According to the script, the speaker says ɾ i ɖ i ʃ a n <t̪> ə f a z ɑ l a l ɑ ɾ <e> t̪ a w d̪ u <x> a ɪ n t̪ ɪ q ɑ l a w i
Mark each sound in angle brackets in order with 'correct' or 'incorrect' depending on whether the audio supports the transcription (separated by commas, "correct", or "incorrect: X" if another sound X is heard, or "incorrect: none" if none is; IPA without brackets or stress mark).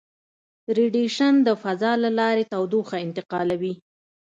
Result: incorrect: d̪, correct, correct